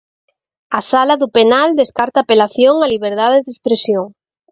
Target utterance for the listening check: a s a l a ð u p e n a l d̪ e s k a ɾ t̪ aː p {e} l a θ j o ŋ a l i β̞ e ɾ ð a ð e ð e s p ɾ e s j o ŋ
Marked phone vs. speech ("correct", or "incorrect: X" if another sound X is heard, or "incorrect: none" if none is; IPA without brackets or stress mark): correct